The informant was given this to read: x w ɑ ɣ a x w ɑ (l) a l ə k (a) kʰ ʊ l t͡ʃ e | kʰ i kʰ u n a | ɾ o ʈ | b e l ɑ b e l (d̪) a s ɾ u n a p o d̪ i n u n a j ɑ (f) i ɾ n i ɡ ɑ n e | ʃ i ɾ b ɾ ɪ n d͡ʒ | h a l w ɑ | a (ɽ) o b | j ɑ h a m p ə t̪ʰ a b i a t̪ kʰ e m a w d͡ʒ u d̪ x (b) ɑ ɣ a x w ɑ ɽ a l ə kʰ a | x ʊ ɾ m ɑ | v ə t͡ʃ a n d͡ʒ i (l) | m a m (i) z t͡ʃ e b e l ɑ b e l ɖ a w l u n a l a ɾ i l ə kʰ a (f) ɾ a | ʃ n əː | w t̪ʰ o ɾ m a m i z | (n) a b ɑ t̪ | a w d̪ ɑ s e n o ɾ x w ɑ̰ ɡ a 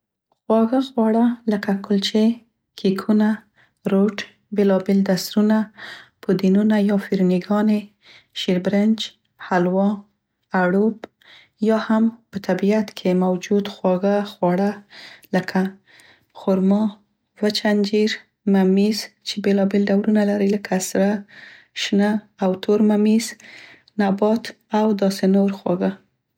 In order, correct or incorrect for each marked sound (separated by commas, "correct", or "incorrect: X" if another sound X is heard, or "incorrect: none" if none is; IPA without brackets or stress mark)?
incorrect: ɽ, correct, correct, correct, correct, incorrect: w, incorrect: ɾ, correct, incorrect: s, correct